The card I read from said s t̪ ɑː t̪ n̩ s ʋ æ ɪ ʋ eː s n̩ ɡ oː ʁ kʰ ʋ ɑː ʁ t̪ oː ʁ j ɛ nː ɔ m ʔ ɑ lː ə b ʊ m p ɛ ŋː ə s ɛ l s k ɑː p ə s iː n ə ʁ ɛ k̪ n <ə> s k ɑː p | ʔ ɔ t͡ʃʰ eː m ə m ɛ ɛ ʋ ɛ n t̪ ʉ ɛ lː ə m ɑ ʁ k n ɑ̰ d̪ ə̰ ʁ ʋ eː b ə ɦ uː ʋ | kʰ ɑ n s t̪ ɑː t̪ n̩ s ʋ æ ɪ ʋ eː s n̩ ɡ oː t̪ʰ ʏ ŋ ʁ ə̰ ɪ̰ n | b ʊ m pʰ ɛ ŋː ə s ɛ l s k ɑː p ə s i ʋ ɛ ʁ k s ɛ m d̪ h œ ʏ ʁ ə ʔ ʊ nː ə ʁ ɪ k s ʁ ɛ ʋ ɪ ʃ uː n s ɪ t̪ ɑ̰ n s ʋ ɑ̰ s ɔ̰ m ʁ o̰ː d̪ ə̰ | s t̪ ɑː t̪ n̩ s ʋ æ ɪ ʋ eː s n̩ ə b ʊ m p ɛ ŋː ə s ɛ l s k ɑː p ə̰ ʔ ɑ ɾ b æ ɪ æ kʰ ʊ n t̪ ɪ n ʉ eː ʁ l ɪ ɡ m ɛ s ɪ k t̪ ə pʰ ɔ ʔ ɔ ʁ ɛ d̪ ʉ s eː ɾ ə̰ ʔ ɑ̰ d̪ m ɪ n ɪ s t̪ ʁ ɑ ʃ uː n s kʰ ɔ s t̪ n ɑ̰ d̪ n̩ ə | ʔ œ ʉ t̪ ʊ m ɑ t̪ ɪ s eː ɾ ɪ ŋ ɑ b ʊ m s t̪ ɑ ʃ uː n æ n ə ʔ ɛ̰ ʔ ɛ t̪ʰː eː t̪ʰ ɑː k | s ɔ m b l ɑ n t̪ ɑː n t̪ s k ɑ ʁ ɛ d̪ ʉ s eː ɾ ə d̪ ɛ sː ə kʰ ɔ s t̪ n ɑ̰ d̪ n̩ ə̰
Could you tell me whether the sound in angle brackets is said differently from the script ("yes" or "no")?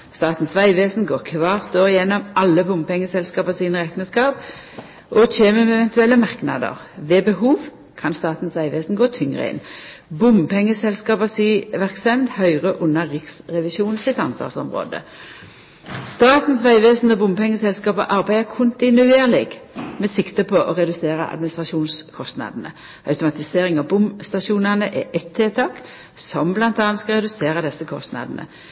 no